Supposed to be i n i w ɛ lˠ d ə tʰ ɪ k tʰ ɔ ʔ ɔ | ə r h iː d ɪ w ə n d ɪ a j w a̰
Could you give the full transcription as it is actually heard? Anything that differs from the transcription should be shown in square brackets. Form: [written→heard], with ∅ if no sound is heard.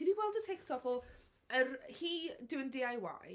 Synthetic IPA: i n i w ɛ lˠ d ə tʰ ɪ k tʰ ɔ [ʔ→k] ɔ | ə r h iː d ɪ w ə n d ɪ a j w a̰